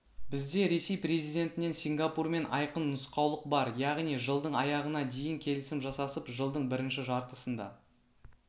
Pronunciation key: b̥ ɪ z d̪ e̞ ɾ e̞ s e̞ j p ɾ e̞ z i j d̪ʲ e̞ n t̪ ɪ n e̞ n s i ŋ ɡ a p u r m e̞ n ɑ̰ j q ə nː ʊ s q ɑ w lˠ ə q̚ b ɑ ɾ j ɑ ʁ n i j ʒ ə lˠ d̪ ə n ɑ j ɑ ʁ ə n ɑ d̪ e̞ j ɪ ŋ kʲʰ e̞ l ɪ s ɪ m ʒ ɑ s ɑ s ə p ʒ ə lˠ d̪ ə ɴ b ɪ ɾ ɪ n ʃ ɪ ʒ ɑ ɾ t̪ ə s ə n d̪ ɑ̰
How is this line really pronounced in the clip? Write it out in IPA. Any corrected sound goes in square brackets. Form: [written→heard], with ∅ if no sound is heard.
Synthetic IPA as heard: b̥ ɪ z d̪ e̞ ɾ e̞ s e̞ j p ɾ e̞ z i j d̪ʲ e̞ n t̪ ɪ n e̞ n s i ŋ ɡ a p u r m e̞ n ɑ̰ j q ə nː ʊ s q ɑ w lˠ ə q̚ b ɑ ɾ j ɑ ʁ n i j ʒ ə lˠ d̪ ə [n→ɴ] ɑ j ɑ ʁ ə n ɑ d̪ e̞ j ɪ ŋ kʲʰ e̞ l ɪ s ɪ m ʒ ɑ s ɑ s ə p ʒ ə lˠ d̪ ə ɴ b ɪ ɾ ɪ n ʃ ɪ ʒ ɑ ɾ t̪ ə s ə n d̪ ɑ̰